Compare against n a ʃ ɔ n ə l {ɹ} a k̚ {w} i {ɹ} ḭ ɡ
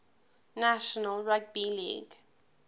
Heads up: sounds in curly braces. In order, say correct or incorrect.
correct, incorrect: b, incorrect: l

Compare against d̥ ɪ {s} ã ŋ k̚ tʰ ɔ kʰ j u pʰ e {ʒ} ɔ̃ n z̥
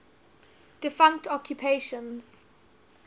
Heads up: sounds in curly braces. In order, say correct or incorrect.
incorrect: f, incorrect: ʃ

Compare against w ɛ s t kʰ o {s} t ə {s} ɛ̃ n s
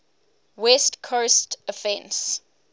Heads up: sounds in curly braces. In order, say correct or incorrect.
correct, incorrect: f

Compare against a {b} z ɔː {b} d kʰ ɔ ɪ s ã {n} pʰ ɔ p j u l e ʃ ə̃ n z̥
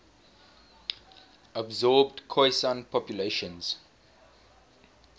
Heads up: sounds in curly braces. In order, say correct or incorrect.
correct, correct, correct

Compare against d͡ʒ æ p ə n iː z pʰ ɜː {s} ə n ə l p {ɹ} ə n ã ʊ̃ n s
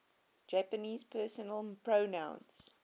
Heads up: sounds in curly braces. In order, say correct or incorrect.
correct, correct

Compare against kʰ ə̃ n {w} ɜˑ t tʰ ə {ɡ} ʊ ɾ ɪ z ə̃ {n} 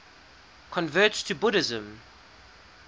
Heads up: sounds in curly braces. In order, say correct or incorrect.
incorrect: v, incorrect: b, incorrect: m

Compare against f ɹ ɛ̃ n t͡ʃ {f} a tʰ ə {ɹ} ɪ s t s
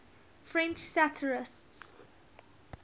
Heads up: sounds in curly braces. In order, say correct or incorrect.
incorrect: s, correct

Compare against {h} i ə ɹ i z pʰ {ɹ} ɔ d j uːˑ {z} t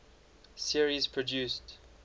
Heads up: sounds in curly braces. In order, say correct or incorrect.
incorrect: s, correct, incorrect: s

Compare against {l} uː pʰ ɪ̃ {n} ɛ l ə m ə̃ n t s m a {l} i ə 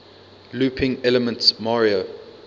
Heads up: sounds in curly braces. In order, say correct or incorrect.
correct, incorrect: ŋ, incorrect: ɹ

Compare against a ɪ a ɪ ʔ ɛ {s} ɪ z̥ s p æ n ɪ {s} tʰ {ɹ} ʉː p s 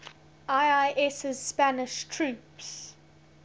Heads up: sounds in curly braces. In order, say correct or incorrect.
correct, incorrect: ʃ, correct

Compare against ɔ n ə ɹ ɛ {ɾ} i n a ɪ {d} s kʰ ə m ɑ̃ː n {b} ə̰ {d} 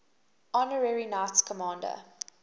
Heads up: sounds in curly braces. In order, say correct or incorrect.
incorrect: ɹ, incorrect: t, incorrect: d, incorrect: none

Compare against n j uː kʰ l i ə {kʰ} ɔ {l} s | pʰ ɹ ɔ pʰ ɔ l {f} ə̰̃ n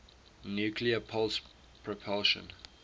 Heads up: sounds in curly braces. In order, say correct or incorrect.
incorrect: pʰ, correct, incorrect: ʃ

